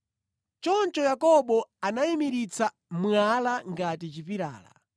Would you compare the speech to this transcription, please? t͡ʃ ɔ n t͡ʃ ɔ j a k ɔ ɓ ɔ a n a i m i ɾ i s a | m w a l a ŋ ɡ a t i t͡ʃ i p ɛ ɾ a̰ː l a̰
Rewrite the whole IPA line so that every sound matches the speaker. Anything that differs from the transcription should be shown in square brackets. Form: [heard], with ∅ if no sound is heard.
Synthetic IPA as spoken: t͡ʃ ɔ n t͡ʃ ɔ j a k ɔ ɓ ɔ a n a i m i ɾ i [t͡s] a | m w a l a ŋ ɡ a t i t͡ʃ i p [i] ɾ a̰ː l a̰